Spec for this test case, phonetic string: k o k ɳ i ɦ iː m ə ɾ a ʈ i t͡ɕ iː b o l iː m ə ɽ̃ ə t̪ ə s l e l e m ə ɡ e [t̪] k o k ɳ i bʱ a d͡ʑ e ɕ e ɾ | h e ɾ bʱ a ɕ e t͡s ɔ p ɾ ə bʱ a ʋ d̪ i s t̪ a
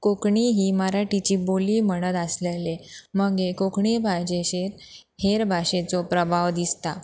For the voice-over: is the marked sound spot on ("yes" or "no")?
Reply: no